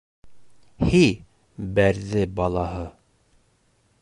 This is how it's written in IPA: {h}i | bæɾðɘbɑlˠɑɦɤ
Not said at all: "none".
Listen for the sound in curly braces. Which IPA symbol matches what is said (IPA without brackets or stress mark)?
h